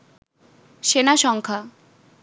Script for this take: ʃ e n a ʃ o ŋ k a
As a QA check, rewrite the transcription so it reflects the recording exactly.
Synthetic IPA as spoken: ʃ e n a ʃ ɔ ŋ kʰ a

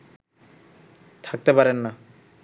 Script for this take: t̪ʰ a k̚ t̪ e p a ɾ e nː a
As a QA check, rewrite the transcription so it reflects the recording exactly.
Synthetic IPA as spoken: t̪ʰ a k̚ t̪ e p a ɾ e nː a

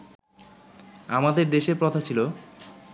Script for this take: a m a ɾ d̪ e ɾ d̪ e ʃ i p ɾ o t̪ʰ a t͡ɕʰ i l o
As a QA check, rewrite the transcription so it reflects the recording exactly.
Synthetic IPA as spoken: a m a d̪ e ɾ d̪ e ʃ e p ɾ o t̪ʰ a t͡ɕʰ i l o

